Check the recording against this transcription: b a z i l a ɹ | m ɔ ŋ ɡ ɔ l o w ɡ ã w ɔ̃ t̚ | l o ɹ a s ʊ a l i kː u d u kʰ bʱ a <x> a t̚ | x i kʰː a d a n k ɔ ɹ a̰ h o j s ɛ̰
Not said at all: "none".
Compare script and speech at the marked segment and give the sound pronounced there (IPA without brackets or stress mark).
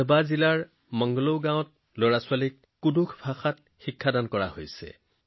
x